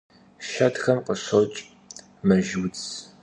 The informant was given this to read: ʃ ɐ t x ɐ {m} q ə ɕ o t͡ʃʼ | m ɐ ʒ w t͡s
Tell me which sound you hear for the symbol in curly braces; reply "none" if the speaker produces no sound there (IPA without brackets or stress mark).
m